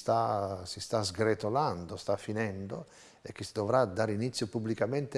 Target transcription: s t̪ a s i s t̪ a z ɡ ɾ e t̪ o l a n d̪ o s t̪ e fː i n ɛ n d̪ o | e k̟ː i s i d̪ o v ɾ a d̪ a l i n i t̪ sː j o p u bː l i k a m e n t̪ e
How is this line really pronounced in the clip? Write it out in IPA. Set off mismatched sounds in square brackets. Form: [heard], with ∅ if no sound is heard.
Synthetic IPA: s t̪ a s i s t̪ a z ɡ ɾ e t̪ o l a n d̪ o s t̪ [a] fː i n ɛ n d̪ o | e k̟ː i s i d̪ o v ɾ a d̪ a [ɾ] i n i t̪ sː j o p u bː l i k a m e n t̪ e